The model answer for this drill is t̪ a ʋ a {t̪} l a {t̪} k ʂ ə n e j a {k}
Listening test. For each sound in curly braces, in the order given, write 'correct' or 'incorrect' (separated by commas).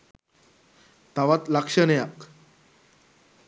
correct, incorrect, correct